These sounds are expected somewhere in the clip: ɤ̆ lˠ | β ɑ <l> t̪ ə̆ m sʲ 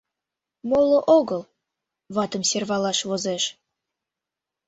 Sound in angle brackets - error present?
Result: yes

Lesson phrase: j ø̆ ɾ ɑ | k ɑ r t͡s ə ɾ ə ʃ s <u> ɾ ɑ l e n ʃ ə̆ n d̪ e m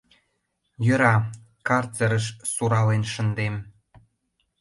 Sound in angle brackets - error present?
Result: no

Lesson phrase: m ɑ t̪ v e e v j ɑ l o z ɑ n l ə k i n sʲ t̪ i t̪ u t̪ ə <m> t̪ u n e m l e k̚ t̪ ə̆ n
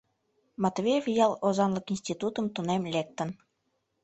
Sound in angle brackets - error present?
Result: no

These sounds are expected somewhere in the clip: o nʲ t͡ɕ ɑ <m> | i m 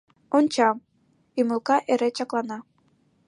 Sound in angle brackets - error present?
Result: no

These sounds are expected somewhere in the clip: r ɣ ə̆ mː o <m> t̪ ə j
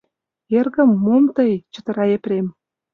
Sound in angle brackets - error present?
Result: no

